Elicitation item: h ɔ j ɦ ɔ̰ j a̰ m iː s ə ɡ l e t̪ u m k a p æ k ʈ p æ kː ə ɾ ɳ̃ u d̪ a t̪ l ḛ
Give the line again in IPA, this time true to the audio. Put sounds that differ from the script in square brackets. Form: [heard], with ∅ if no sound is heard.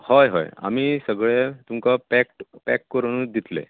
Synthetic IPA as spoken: h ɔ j ɦ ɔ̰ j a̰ m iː s ə ɡ [ɭ] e t̪ u m k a p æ k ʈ p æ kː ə ɾ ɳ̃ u d̪ [i] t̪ l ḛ